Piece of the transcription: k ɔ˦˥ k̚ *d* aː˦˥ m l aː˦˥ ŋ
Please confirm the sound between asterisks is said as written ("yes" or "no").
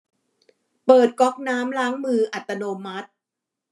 no